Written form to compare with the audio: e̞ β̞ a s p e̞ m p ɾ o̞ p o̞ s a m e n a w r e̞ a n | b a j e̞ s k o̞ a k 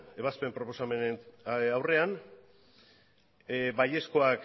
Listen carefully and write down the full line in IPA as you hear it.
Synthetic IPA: e̞ β̞ a s p e̞ m p ɾ o̞ p o̞ s a m e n a w r e̞ a n | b a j e̞ s k o̞ a k